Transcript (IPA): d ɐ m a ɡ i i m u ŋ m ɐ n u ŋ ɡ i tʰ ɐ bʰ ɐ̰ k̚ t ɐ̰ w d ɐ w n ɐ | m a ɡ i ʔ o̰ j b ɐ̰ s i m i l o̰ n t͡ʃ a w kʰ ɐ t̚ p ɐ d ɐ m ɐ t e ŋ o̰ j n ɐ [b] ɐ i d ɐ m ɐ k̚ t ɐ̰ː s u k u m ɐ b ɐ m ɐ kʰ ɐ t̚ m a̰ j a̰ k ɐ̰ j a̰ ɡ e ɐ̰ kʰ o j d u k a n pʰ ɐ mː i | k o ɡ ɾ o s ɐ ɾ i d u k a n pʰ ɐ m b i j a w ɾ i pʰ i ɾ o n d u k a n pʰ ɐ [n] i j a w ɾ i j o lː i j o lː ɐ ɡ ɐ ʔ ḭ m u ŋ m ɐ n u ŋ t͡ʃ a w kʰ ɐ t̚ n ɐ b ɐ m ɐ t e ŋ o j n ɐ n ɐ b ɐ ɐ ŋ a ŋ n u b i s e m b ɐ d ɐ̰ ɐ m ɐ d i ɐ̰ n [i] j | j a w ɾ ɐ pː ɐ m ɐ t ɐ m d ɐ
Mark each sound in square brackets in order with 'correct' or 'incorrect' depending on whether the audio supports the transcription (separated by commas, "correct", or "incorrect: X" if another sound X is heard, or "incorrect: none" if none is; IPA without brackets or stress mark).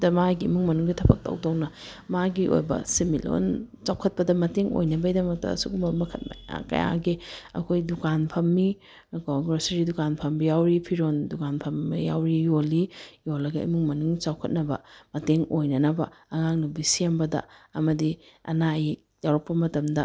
correct, incorrect: m, incorrect: a